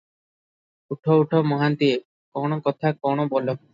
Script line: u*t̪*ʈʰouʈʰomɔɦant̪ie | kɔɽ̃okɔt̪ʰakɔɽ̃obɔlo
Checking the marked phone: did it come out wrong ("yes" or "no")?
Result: yes